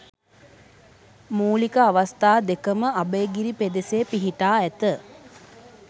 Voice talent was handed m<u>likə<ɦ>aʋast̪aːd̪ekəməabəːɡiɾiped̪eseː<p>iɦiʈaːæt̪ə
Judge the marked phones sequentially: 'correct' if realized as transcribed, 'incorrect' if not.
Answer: incorrect, incorrect, correct

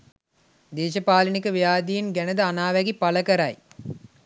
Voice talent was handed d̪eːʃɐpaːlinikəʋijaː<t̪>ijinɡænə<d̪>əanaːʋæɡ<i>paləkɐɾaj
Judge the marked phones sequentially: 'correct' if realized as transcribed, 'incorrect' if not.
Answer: incorrect, correct, correct

